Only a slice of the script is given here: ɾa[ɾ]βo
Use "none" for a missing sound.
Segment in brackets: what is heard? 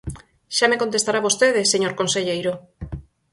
none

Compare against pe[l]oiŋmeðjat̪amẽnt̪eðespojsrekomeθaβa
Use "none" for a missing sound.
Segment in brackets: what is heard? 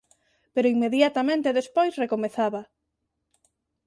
ɾ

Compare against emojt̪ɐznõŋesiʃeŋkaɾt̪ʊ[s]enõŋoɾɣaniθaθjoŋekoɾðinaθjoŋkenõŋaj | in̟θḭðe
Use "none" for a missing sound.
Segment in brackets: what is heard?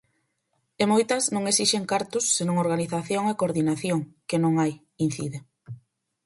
sː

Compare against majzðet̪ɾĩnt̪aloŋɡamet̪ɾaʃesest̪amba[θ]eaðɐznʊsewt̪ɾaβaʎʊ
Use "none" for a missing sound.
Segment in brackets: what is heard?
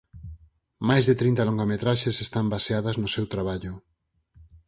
s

